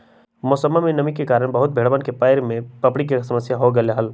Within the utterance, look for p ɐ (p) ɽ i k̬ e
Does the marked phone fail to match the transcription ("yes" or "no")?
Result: no